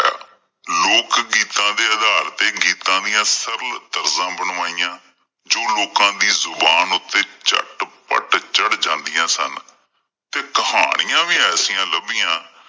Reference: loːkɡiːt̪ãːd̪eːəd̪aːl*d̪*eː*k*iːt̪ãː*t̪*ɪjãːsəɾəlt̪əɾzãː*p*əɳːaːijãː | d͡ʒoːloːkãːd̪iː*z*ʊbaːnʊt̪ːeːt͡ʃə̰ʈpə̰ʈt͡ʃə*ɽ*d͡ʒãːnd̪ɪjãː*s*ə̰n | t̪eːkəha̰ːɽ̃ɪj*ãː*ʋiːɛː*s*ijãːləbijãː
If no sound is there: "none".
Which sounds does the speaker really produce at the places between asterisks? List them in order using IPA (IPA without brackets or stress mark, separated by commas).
t̪, ɡ, d̪, b, z, ɽ, s, ãː, s